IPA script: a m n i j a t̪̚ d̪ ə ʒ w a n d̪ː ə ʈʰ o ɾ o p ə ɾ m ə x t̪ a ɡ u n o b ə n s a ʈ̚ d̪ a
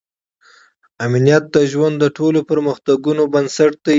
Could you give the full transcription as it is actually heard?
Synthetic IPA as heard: a m n i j a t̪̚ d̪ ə ʒ w a n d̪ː ə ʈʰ o l o p ə ɾ m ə x t̪ a ɡ u n o b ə n s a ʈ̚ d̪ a